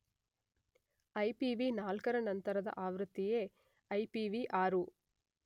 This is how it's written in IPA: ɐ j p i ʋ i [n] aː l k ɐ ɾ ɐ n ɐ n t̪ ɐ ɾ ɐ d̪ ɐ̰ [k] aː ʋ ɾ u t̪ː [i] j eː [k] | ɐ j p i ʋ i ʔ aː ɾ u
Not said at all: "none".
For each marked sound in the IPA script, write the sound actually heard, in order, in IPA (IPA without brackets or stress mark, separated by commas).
n, ʔ, i, none